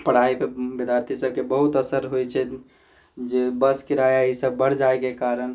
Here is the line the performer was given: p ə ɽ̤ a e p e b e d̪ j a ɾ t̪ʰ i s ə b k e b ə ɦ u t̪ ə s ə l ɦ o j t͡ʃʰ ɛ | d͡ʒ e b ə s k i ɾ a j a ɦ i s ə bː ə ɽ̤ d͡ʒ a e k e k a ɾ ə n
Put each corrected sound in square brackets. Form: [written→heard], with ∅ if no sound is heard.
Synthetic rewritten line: p ə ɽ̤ a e p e b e d̪ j a ɾ t̪ʰ i s ə b k e b ə ɦ u t̪ ə s ə [l→ɾ] ɦ o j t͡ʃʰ ɛ | d͡ʒ e b ə s k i ɾ a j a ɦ i s ə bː ə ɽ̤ d͡ʒ a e k e k a ɾ ə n